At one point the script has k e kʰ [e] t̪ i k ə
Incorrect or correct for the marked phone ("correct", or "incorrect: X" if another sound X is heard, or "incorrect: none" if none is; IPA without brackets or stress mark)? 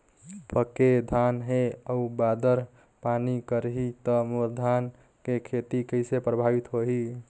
correct